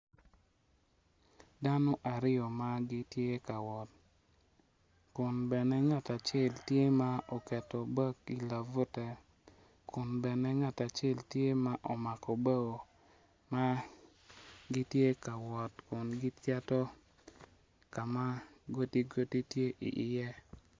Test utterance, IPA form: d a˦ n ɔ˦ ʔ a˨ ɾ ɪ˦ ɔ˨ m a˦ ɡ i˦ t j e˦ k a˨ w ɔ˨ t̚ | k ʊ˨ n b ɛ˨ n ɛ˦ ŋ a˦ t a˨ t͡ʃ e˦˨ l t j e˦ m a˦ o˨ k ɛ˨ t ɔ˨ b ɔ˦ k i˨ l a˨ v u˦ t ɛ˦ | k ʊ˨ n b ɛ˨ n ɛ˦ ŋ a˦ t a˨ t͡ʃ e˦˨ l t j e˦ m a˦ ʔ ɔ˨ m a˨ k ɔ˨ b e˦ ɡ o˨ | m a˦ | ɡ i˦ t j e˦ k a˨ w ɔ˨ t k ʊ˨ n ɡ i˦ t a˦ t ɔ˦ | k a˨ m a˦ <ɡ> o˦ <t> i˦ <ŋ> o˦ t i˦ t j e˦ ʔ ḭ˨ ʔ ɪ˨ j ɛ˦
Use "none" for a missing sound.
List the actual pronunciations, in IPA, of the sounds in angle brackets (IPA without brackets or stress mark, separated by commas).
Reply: ɡ, t, ɡ